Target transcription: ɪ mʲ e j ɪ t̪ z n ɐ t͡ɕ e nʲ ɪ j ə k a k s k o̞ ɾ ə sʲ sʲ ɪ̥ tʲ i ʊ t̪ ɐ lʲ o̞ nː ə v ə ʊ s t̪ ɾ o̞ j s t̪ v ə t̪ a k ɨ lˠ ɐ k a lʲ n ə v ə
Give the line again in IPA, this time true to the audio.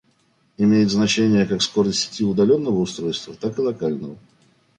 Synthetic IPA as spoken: ɪ mʲ e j ɪ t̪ z n ɐ t͡ɕ e nʲ ɪ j ə k a k s k o̞ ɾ ə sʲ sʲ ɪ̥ tʲ i ʊ d̪ ɐ lʲ o̞ nː ə v ə ʊ s t̪ ɾ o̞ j s t̪ v ə t̪ a k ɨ lˠ ɐ k a lʲ n ə v ə